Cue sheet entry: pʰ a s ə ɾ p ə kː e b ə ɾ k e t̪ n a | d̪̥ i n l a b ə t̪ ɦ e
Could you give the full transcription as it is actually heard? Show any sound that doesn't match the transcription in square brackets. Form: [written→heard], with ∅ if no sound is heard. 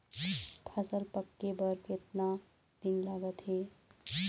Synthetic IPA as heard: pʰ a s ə [ɾ→l] p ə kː e b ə ɾ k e t̪ n a | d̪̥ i n l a [b→ɡ] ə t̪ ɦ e